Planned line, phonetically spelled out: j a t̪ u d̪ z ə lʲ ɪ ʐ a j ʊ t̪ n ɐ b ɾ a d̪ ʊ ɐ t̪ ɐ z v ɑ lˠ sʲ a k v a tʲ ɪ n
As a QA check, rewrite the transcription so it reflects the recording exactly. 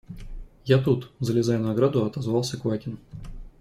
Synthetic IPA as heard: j a t̪ u t̪ z ə lʲ ɪ z a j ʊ n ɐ ɡ ɾ a d̪ ʊ ɐ t̪ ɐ z v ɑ lˠ sʲ ə k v a tʲ ɪ n

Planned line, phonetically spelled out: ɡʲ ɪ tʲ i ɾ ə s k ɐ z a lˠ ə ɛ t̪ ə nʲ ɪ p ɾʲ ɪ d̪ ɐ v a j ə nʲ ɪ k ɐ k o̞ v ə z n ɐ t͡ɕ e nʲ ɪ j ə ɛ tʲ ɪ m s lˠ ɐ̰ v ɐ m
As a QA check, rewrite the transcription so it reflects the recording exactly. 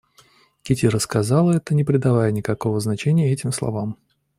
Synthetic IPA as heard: kʲ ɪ tʲ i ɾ ə s k ɐ z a lˠ ə ɛ t̪ ə nʲ ɪ p ɾʲ ɪ d̪ ɐ v a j ə nʲ ɪ k ɐ k o̞ v ə z n ɐ t͡ɕ e nʲ ɪ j ə ɛ tʲ ɪ m s lˠ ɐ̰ v a m

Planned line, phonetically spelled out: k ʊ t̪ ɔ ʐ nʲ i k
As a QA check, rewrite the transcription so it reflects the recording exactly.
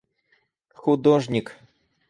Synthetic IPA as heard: x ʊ d̪ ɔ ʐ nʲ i k

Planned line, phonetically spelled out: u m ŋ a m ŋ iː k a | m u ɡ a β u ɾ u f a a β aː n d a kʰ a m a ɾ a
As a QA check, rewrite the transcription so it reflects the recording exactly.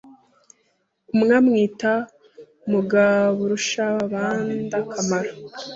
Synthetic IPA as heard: u m ŋ a m ŋ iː t a | m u ɡ a β u ɾ u ʃ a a β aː n d a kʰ a m a ɾ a

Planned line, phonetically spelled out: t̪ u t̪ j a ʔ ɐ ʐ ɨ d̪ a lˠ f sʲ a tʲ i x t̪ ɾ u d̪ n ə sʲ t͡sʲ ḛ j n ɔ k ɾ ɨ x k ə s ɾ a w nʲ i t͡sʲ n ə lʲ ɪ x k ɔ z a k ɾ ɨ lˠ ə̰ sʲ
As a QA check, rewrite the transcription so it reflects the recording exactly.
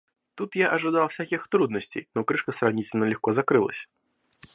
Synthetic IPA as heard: t̪ u t̪ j a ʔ ɐ ʐ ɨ d̪ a lˠ f sʲ a kʲ i x t̪ ɾ u d̪ n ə sʲ t͡sʲ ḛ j n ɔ k ɾ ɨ ʂ k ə s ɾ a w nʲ i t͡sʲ n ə lʲ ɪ x k ɔ z a k ɾ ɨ lˠ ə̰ sʲ

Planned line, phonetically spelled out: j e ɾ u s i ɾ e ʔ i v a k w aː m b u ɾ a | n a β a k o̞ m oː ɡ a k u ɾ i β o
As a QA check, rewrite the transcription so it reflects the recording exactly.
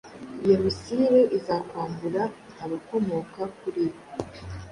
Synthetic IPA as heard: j e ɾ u s i ɾ e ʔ i z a k w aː m b u ɾ a | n a β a k o̞ m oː k a k u ɾ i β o

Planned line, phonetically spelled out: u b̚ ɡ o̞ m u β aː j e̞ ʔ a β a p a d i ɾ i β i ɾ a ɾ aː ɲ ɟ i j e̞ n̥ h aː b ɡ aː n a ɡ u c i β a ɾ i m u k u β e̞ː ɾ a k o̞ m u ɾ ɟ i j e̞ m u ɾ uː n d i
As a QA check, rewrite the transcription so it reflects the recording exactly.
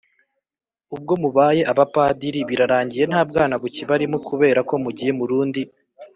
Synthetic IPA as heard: u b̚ ɡ o̞ m u β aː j e̞ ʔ a β a p a d i ɾ i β i ɾ a ɾ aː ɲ ɟ i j e̞ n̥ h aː b ɡ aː n a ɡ u c i β a ɾ i m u k u β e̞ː ɾ a k o̞ m u ɟ i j e̞ m u ɾ uː n d i

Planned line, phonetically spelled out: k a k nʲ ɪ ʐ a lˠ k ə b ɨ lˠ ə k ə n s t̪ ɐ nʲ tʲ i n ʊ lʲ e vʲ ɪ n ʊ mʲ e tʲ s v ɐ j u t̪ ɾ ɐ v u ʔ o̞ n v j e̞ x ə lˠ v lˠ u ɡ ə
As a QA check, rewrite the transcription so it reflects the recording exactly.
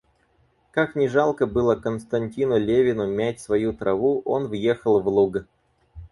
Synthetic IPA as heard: k a k nʲ ɪ ʐ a lˠ k ə b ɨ lˠ ə k ə n s t̪ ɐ nʲ tʲ i n ʊ lʲ e vʲ ɪ n ʊ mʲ æ tʲ s v ɐ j u t̪ ɾ ɐ v u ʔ o̞ n v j e̞ x ə lˠ v lˠ u ɡ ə

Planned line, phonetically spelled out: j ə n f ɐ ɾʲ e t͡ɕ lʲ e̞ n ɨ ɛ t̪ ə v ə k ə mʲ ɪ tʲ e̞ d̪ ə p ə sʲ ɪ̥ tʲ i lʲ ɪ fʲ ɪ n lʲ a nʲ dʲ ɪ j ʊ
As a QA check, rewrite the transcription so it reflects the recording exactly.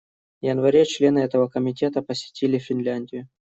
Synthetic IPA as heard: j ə n v ɐ ɾʲ e t͡ɕ lʲ e̞ n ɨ ɛ t̪ ə v ə k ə mʲ ɪ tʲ e̞ t̪ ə p ə sʲ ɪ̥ tʲ i lʲ ɪ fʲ ɪ n lʲ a nʲ dʲ ɪ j ʊ

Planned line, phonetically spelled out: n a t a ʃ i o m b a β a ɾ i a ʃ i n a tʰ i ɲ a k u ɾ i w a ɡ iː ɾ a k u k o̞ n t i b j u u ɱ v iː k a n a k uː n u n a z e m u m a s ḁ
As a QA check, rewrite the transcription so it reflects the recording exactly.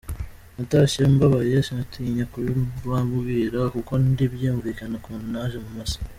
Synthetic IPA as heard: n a t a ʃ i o m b a β a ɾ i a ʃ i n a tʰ i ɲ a k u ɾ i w a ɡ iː ɾ a k u k o̞ n d i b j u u ɱ v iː k a n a k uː n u n a ʒ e m u m a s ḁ

